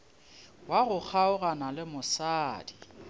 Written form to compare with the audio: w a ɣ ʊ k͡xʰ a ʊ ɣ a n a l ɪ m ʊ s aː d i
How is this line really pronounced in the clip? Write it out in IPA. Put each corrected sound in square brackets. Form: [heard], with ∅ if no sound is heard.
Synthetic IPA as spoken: w a ɣ ʊ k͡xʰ a ʊ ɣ a n a l ɪ m ʊ s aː d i